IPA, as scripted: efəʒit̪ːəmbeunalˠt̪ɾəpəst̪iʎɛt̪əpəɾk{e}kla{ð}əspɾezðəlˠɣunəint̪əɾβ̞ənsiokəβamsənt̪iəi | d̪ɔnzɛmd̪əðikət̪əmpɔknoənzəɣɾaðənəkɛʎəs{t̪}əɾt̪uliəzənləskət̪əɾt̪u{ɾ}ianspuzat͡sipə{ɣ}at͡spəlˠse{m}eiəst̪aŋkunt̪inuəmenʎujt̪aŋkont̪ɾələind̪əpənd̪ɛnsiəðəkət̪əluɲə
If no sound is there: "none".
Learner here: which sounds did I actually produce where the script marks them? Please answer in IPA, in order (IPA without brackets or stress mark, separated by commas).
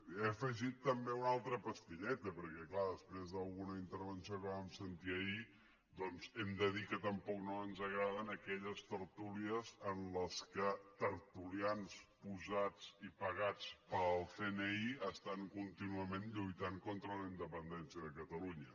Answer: ɛ, ð, t̪, l, ɣ, n